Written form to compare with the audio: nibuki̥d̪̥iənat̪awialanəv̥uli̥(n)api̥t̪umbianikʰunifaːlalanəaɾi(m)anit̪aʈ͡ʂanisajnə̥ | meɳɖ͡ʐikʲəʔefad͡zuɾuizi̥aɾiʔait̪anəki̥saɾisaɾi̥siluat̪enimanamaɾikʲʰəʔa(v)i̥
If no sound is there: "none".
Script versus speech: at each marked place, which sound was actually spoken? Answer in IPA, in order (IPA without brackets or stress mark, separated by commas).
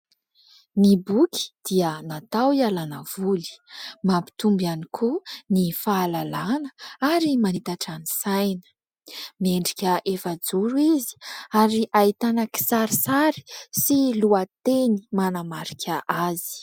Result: m, m, z